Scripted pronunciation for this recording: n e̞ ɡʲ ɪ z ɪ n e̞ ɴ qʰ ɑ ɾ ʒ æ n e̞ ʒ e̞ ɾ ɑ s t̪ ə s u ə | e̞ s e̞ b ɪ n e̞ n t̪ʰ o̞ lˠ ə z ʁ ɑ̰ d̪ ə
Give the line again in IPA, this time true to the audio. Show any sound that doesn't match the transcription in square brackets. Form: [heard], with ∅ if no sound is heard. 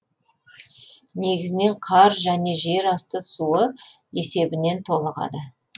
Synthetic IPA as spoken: n e̞ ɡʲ ɪ z ɪ n e̞ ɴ qʰ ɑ ɾ ʒ æ n e̞ ʒ e̞ ɾ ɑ s t̪ ə s u ə | e̞ s e̞ b ɪ n e̞ n t̪ʰ o̞ lˠ ə [∅] ʁ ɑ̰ d̪ ə

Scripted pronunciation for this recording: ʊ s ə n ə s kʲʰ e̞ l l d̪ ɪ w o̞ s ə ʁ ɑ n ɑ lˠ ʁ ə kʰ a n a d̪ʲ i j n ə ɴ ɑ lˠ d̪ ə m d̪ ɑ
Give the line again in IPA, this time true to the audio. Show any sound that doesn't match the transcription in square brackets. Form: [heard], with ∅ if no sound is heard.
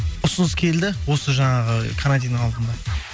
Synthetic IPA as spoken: ʊ s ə n ə s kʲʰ e̞ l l d̪ ɪ w o̞ s ə [ʒ] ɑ [ɴ] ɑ [∅] ʁ ə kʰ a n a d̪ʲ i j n ə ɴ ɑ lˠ d̪ ə [n] d̪ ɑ

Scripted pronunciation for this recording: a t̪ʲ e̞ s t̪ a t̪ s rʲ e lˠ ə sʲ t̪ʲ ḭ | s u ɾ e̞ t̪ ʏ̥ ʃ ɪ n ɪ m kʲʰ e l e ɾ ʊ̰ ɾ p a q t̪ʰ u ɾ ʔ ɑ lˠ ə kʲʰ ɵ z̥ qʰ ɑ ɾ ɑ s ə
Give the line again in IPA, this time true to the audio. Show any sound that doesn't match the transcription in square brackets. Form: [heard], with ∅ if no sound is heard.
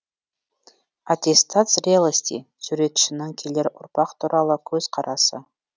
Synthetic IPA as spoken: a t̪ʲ e̞ s t̪ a t̪ s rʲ e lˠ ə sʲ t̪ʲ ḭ | s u ɾ e̞ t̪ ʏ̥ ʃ ɪ n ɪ [ŋ] kʲʰ e l e ɾ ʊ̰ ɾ p [ɑ] q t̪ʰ u ɾ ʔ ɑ lˠ ə kʲʰ ɵ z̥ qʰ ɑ ɾ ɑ s ə

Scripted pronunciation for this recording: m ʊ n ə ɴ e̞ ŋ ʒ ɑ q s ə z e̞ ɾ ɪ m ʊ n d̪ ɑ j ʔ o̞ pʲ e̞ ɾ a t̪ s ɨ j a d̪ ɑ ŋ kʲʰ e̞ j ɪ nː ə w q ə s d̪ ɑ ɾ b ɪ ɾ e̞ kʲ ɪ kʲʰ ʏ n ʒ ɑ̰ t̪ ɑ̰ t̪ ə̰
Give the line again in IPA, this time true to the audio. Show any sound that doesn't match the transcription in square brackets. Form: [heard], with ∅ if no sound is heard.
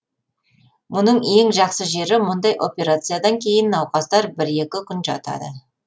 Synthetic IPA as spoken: m ʊ n ə ɴ e̞ ŋ ʒ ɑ q s ə [ʒ] e̞ ɾ ɪ m ʊ n d̪ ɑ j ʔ o̞ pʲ e̞ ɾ a t̪ s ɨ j a d̪ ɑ ŋ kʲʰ e̞ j ɪ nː [ɑ] w q [ɑ] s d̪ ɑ ɾ b ɪ ɾ e̞ kʲ ɪ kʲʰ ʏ n ʒ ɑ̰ t̪ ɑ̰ [d̪] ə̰

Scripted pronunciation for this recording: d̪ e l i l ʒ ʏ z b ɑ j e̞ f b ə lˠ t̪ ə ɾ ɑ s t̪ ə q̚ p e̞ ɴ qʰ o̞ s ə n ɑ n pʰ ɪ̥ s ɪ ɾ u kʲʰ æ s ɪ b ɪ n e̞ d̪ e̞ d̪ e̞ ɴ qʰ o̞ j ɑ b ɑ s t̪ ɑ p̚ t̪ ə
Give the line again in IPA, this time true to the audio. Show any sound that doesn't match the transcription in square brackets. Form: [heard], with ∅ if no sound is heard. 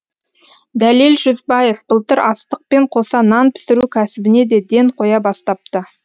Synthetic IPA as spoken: d̪ [æ] l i l ʒ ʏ z b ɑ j e̞ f b ə lˠ t̪ ə ɾ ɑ s t̪ ə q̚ p e̞ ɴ qʰ o̞ s [ɑ] n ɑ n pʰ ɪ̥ s ɪ ɾ u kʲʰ æ s ɪ b ɪ n e̞ d̪ e̞ d̪ e̞ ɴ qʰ o̞ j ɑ b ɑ s t̪ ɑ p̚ t̪ ə

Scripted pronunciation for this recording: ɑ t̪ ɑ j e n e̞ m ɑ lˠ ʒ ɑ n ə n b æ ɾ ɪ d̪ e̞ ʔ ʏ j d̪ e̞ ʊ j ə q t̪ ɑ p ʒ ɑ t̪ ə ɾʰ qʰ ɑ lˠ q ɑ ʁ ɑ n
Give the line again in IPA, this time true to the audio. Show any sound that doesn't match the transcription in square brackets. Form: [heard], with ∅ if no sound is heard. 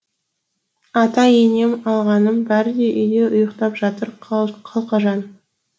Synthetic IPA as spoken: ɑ t̪ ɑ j e n e̞ m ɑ lˠ [ʁ] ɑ n ə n b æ ɾ ɪ d̪ e̞ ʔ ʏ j d̪ e̞ ʊ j ə q t̪ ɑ p ʒ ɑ t̪ ə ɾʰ qʰ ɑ lˠ q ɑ [ʒ] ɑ n

